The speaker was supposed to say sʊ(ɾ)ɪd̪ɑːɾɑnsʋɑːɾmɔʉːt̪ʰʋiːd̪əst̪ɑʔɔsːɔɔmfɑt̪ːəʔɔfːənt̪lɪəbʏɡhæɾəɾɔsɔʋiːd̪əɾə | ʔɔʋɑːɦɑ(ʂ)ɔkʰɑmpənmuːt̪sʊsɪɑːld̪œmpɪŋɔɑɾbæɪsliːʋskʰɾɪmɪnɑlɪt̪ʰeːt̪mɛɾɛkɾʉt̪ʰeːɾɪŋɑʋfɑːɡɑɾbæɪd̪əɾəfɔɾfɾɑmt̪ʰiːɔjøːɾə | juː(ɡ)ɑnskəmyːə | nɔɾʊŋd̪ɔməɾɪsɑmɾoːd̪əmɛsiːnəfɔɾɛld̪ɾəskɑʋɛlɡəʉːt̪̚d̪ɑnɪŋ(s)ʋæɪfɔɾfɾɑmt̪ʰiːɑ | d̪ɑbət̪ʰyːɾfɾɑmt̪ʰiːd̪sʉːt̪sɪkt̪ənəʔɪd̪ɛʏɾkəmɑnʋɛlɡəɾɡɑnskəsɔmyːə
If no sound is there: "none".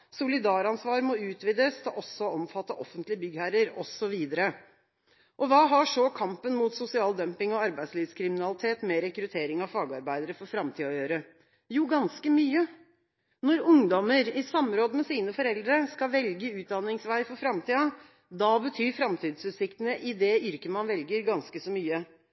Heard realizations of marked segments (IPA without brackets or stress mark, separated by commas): l, ʂ, ɡ, s